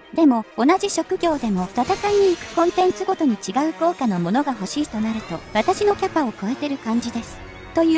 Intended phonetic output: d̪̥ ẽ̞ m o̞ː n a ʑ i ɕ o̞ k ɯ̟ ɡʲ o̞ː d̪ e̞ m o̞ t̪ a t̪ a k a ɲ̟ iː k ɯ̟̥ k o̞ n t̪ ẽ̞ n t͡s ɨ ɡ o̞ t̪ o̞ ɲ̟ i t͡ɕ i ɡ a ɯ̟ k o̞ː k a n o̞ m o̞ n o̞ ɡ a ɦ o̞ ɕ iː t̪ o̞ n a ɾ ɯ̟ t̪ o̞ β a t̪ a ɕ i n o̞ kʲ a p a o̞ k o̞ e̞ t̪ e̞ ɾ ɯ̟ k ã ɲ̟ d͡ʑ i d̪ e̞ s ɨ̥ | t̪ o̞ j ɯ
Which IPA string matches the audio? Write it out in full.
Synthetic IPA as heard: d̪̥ e̞ m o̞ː n a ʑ i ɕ o̞ k ɯ̟ ɡʲ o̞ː d̪ e̞ m o̞ t̪ a t̪ a k a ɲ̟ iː k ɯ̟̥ k õ̞ n t̪ ẽ̞ n t͡s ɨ ɡ o̞ t̪ o̞ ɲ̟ i t͡ɕ i ɡ a ɯ̟ k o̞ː k a n o̞ m o̞ n o̞ ɡ a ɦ o̞ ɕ iː t̪ o̞ n a ɾ ɯ̟ t̪ o̞ β a t̪ a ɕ i n o̞ kʲ a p a o̞ k o̞ e̞ t̪ e̞ ɾ ɯ̟ k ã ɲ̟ d͡ʑ i d̪ e̞ s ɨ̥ | t̪ o̞ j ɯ